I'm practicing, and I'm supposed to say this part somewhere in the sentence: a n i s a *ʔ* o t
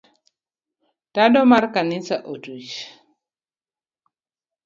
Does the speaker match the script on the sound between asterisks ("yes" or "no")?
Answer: yes